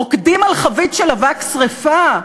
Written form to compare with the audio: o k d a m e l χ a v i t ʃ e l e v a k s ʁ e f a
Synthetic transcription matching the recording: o k d i m a l χ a v i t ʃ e l a v a k s ʁ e f a